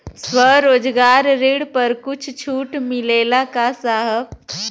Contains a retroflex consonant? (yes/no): yes